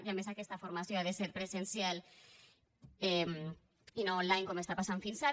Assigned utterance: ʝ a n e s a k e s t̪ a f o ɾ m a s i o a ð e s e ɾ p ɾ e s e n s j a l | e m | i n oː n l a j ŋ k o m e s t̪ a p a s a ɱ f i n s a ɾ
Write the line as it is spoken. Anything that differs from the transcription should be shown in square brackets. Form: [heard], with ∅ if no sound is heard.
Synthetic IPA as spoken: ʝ a [m] e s a k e s t̪ a f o ɾ m a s [j] o a ð e s e ɾ p ɾ e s e n s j a l | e m | i n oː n l a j ŋ k o m e s t̪ a p a s a ɱ f i n s a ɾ